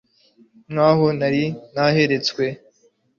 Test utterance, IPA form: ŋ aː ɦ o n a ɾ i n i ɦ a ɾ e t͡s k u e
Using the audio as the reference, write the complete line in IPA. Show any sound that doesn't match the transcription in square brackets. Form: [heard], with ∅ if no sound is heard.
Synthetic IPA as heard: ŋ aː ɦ o n a ɾ i n [a] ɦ [e] ɾ e t͡s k [w] e

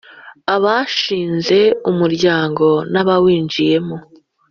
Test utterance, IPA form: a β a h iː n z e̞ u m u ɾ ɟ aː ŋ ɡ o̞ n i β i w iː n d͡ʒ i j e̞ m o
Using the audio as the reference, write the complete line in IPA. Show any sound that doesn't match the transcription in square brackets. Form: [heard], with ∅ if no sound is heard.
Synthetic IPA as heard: a β a [ʃ] iː n z e̞ u m u ɾ ɟ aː ŋ ɡ o̞ n [a] β [a] w iː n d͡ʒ i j e̞ m o

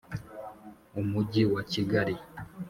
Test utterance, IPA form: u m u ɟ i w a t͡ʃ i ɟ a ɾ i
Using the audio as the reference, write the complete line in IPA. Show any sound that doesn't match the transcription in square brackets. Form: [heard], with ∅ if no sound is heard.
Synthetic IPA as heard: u m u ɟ i w a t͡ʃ i [ɡ] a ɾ i

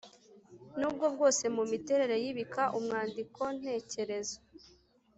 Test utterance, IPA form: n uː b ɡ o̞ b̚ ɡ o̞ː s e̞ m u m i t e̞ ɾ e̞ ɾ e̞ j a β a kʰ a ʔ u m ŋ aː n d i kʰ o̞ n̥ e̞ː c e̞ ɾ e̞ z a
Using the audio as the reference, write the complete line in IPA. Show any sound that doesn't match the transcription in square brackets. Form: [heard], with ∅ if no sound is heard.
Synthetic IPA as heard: n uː b ɡ o̞ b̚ ɡ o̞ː s e̞ m u m i t e̞ ɾ e̞ ɾ e̞ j [i] β [i] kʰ a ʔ u m ŋ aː n d i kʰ o̞ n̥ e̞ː c e̞ ɾ e̞ z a

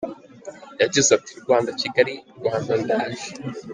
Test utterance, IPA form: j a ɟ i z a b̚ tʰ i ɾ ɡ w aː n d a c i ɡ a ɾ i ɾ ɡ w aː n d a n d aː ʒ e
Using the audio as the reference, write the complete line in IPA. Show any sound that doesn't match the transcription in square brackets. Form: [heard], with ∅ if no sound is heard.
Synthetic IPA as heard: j a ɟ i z a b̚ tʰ i ɾ ɡ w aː n d a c i ɡ a ɾ i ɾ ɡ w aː n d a n d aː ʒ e

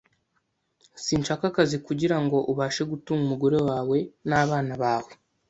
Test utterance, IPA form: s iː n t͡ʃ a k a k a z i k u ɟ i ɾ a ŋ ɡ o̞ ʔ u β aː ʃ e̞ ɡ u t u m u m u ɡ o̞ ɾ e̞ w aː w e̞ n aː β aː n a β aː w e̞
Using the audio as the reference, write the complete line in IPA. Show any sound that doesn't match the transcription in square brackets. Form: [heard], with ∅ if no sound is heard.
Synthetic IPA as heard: s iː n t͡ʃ a k a k a z i k u ɟ i ɾ a ŋ ɡ o̞ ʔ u β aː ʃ e̞ ɡ u t u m u m u ɡ o̞ ɾ e̞ w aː w e̞ n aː β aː n a β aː w e̞

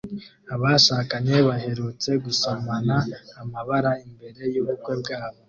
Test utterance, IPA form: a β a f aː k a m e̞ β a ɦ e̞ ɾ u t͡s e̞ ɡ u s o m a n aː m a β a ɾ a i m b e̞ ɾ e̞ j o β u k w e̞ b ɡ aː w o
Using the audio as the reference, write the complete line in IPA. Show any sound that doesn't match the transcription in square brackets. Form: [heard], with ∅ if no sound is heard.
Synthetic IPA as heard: a β a [ʃ] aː k a [ɲ] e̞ β a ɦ e̞ ɾ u t͡s e̞ ɡ u s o m a n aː m a β a ɾ a i m b e̞ ɾ e̞ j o β u k w e̞ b ɡ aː [β] o

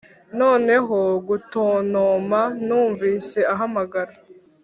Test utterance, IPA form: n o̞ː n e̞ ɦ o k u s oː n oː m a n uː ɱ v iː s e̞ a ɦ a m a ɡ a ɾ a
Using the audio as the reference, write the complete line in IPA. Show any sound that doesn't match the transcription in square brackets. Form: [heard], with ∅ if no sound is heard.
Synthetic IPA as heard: n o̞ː n e̞ ɦ o [ɡ] u [t] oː n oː m a n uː ɱ v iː s e̞ a ɦ a m a ɡ a ɾ a

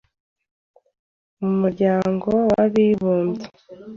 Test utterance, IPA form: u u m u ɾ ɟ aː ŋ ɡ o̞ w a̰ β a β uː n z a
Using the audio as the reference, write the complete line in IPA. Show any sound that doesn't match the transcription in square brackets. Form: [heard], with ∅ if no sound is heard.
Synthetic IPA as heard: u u m u ɾ ɟ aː ŋ ɡ o̞ w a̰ β [i] β uː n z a

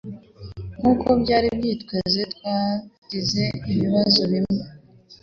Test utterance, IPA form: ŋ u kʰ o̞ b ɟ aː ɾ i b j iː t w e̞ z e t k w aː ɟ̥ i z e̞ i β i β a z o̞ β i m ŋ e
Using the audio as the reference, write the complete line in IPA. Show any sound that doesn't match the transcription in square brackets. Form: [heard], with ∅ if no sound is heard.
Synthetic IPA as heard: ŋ u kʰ o̞ b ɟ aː ɾ i b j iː t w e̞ z e t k w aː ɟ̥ i z e̞ i β i β a z o̞ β i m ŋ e

